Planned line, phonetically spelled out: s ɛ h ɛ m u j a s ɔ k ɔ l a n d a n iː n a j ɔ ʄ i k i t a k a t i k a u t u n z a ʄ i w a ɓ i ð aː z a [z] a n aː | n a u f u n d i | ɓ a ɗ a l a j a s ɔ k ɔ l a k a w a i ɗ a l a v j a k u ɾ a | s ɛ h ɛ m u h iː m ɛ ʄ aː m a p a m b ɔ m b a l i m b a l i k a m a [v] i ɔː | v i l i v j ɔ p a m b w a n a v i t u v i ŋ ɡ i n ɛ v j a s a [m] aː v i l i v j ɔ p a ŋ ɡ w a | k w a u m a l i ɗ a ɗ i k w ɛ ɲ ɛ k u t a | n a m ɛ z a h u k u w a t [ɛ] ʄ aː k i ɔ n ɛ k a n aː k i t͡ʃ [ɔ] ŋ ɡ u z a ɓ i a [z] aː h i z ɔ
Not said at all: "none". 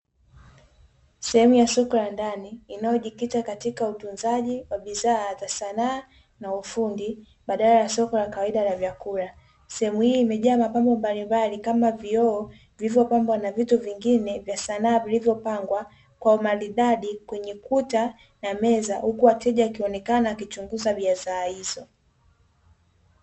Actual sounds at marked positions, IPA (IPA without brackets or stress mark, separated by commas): s, v, n, ɛ, u, z